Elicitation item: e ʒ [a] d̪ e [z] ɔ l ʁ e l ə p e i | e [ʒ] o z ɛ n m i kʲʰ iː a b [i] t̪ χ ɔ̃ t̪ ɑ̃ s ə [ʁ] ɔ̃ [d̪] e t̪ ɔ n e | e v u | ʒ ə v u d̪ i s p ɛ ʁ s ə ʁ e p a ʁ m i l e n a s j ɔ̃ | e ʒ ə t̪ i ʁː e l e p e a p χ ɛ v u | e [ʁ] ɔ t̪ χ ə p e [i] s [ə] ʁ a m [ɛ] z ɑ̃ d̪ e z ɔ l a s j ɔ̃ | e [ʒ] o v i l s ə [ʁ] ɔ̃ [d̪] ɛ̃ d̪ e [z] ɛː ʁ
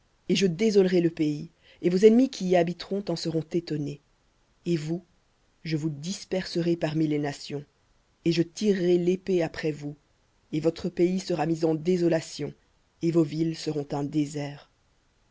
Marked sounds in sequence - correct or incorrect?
incorrect, correct, incorrect, correct, correct, incorrect, incorrect, correct, correct, incorrect, incorrect, correct, incorrect, correct

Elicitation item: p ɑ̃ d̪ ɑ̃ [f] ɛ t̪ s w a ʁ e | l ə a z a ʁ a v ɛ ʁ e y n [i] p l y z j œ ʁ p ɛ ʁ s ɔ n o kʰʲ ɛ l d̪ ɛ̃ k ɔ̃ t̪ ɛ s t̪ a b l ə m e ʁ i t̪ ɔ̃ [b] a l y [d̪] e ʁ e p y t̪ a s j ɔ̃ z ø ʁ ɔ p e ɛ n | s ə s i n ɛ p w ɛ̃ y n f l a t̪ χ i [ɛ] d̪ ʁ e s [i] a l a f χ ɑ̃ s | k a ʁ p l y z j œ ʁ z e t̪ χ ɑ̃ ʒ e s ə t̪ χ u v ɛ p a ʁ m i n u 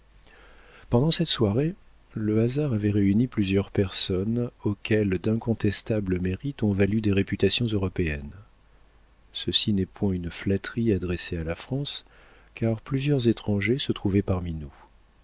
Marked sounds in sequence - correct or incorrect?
incorrect, correct, incorrect, correct, incorrect, incorrect

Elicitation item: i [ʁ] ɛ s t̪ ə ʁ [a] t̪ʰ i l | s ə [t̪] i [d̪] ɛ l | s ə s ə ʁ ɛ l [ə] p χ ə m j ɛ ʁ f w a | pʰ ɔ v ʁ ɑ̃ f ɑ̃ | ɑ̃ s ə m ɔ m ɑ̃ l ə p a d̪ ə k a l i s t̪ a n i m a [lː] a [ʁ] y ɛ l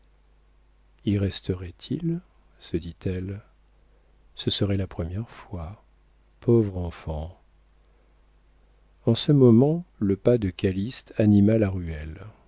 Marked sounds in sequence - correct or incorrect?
correct, incorrect, incorrect, incorrect, incorrect, incorrect, correct

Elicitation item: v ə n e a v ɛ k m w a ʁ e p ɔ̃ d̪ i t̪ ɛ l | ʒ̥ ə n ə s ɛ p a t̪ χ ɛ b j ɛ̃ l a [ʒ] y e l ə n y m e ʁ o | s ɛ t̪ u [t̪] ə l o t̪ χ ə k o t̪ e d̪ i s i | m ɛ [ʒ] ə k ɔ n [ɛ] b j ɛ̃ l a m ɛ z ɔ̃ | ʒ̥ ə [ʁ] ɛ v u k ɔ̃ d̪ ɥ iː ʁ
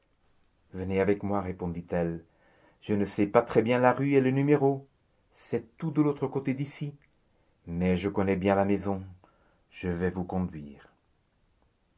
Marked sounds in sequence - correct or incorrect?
incorrect, incorrect, correct, correct, incorrect

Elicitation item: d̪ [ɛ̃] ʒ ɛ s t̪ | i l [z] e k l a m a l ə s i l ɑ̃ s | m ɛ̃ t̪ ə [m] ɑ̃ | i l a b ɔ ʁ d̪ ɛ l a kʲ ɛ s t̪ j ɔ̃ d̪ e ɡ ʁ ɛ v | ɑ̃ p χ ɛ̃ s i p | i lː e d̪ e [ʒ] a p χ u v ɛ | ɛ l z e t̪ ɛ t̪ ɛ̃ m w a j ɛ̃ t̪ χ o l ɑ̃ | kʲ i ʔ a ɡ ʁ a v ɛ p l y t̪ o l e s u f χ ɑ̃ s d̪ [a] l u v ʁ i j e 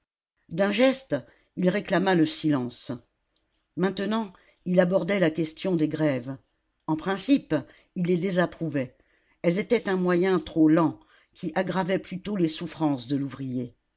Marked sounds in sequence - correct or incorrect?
correct, incorrect, incorrect, incorrect, incorrect

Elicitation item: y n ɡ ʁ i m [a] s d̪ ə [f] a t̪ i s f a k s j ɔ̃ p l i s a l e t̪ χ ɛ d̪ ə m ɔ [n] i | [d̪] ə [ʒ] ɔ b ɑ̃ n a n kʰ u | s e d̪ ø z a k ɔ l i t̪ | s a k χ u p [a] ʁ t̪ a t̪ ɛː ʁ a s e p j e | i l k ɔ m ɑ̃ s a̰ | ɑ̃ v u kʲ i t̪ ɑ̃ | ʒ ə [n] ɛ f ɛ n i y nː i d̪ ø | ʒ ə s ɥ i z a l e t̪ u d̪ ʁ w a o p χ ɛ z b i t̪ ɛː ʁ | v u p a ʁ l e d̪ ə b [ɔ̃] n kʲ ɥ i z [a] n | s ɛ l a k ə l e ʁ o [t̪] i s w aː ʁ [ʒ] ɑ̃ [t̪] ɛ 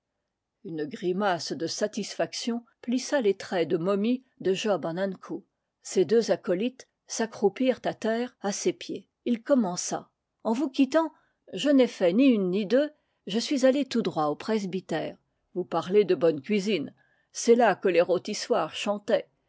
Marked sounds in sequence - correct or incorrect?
correct, incorrect, incorrect, correct, correct, incorrect, correct, incorrect, incorrect, correct, incorrect, correct

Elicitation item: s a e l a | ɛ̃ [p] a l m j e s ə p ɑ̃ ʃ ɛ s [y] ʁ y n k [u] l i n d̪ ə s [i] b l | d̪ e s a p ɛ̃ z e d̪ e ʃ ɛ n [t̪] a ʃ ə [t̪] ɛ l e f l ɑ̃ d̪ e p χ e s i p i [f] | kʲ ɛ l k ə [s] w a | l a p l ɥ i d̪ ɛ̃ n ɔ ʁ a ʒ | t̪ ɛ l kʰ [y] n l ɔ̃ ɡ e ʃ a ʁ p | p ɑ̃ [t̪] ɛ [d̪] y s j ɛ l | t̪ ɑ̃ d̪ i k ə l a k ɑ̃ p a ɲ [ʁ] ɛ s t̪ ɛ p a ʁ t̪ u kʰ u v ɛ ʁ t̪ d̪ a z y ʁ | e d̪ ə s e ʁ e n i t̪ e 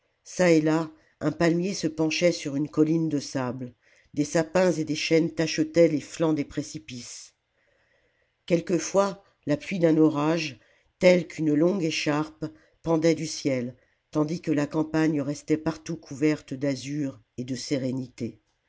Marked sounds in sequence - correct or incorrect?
correct, correct, incorrect, incorrect, correct, correct, incorrect, incorrect, correct, incorrect, correct, correct

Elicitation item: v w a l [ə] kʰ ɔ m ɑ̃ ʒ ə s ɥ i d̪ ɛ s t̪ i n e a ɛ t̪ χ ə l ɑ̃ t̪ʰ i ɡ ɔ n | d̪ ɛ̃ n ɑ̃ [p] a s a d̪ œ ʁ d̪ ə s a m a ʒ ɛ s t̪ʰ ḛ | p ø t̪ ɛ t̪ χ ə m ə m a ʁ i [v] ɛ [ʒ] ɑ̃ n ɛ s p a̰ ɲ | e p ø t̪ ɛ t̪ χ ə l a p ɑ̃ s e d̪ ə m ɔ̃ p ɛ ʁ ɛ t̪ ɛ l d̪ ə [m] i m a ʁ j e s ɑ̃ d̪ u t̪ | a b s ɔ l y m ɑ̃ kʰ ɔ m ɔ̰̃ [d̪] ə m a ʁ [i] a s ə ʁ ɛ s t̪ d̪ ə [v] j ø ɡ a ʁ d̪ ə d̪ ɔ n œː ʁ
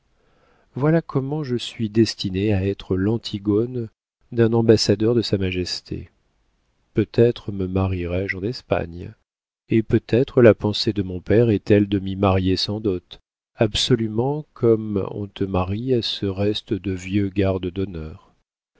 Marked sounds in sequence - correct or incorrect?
incorrect, incorrect, incorrect, correct, correct, incorrect, correct, correct

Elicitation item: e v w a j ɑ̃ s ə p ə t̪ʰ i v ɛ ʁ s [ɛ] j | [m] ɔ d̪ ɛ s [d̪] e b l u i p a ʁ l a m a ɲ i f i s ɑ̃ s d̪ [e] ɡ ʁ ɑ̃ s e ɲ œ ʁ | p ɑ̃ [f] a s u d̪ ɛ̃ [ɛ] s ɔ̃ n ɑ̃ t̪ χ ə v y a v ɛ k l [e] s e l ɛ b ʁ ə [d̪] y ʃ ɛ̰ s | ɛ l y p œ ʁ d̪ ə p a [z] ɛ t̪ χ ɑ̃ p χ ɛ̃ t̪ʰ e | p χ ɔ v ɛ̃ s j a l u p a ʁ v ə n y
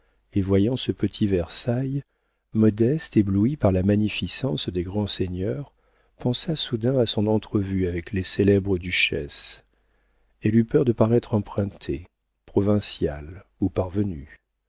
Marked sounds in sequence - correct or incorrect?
incorrect, correct, incorrect, correct, incorrect, incorrect, correct, correct, incorrect

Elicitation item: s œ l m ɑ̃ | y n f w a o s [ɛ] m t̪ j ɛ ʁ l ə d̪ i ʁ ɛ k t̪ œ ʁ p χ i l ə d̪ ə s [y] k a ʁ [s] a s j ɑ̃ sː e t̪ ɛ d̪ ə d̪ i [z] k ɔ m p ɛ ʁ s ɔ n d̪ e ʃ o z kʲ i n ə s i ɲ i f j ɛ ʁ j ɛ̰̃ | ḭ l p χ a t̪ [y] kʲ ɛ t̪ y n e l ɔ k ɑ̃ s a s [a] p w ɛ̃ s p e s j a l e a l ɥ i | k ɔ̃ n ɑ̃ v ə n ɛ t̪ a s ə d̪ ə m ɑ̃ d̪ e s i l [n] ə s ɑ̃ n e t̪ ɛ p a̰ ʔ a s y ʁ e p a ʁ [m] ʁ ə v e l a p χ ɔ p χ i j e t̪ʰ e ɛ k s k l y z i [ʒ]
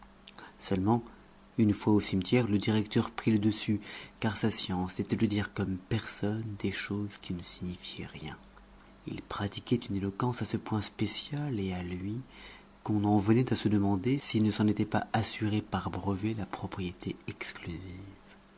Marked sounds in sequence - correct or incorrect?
incorrect, correct, correct, incorrect, incorrect, incorrect, correct, incorrect, incorrect

